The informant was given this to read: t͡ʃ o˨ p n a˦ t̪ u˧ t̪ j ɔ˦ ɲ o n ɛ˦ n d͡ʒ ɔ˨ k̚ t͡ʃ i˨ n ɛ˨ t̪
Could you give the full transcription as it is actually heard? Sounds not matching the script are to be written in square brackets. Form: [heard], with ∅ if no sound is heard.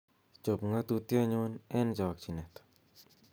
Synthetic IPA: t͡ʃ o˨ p [ŋ] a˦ t̪ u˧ t̪ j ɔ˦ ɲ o n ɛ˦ n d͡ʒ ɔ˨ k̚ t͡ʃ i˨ n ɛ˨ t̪